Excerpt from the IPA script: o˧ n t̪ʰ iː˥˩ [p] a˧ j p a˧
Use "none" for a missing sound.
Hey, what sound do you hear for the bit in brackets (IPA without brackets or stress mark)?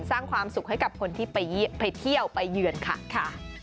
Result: p